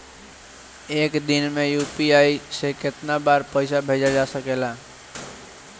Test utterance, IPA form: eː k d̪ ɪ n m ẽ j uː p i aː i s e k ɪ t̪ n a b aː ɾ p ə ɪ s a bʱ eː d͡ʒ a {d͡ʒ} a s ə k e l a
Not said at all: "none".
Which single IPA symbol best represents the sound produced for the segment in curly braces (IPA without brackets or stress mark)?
d͡ʒ